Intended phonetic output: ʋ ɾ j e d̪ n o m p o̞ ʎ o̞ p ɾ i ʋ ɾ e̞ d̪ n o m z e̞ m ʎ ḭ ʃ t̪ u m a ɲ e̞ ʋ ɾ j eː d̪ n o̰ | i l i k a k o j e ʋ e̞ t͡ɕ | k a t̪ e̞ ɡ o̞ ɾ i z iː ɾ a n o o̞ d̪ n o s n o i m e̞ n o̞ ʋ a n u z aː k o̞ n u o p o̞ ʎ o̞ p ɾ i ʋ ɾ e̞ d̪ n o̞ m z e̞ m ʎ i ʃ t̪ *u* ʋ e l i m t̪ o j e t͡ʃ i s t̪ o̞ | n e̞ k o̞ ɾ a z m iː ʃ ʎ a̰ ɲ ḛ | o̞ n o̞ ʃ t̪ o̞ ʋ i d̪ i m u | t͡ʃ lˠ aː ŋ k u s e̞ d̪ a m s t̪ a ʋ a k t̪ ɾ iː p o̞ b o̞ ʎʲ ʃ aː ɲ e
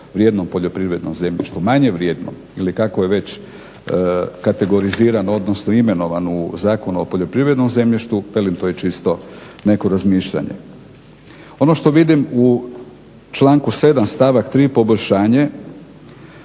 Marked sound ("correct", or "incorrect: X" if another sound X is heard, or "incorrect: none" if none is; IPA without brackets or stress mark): correct